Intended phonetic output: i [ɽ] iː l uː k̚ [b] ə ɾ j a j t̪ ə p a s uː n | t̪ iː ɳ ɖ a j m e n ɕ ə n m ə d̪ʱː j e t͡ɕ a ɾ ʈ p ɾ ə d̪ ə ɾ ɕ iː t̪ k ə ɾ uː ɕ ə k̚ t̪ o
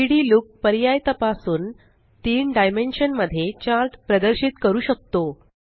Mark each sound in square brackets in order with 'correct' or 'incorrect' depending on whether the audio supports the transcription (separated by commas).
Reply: correct, incorrect